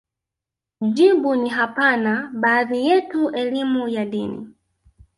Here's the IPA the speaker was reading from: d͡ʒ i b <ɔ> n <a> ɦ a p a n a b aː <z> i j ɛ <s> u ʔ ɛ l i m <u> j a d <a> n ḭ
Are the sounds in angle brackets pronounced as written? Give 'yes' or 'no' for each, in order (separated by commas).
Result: no, no, no, no, yes, no